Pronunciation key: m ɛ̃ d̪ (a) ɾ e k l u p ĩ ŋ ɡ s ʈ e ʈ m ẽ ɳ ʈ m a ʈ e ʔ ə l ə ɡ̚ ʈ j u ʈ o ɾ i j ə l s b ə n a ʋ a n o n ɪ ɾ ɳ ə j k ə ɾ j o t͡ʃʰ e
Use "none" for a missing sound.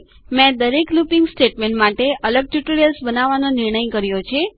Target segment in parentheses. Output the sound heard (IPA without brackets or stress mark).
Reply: ə